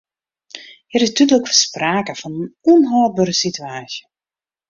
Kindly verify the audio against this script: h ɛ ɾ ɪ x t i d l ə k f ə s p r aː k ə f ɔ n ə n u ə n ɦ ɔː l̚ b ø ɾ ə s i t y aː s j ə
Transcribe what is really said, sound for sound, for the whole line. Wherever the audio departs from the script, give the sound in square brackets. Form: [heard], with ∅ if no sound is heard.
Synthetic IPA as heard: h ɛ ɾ ɪ [s] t [y] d l ə k f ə s p r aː k ə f ɔ n ə n u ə n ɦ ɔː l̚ b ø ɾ ə s i t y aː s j ə